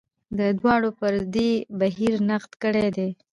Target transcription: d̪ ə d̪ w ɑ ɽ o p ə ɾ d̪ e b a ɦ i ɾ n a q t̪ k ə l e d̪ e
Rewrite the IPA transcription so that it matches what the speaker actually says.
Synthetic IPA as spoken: d̪ ə d̪ w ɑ ɽ o p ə ɾ d̪ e b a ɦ i ɾ n a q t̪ k ə ɽ e d̪ e